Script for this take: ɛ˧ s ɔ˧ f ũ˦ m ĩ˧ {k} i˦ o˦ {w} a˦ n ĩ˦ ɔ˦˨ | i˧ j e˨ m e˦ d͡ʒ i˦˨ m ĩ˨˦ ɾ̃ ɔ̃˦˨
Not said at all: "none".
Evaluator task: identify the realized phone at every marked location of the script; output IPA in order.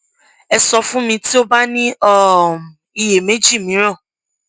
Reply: t, b

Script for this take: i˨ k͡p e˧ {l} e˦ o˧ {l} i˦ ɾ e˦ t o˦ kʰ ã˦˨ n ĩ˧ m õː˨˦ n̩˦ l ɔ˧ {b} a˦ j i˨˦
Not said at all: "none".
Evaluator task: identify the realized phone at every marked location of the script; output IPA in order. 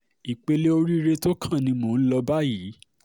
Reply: l, ɾ, b

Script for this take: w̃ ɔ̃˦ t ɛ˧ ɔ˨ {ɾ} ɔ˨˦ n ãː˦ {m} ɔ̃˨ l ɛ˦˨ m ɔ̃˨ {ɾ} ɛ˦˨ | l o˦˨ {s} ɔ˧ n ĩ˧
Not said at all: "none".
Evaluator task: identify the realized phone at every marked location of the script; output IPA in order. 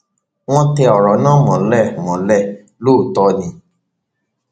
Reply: ɾ, m, l, t

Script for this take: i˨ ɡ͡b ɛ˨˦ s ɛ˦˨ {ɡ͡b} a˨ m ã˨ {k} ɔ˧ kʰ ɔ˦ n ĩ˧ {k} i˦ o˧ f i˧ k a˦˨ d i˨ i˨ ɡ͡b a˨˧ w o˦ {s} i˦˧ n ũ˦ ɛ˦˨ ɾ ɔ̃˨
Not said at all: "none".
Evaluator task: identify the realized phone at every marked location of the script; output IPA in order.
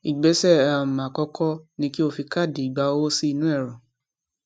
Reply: none, k, k, s

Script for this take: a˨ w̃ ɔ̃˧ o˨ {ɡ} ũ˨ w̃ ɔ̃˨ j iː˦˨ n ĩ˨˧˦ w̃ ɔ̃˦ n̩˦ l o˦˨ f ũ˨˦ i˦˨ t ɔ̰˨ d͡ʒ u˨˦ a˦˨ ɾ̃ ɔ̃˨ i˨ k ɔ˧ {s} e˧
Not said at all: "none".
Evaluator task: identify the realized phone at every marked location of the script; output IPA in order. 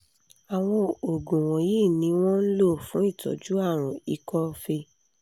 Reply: ɡ, f

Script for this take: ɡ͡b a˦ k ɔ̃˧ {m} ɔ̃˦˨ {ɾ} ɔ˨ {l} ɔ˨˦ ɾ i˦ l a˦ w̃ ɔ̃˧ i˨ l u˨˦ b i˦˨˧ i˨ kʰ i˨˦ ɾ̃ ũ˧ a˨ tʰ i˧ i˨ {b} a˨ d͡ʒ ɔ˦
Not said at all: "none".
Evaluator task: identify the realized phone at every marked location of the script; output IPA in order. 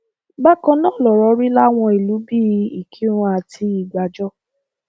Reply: n, l, ɾ, ɡ͡b

